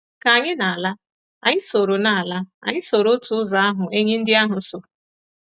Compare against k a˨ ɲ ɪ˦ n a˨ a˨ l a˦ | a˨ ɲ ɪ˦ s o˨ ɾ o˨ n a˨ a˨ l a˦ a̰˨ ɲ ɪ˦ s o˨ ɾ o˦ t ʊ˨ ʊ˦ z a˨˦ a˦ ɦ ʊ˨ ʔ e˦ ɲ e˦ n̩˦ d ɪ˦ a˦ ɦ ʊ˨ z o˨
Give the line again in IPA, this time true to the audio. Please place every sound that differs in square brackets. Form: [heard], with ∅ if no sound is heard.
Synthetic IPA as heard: k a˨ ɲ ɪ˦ n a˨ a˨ l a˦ | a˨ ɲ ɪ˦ s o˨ ɾ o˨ n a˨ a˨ l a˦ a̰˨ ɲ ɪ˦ s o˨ ɾ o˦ t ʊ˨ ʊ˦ z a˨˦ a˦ ɦ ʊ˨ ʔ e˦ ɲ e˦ n̩˦ d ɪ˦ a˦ ɦ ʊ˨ [s] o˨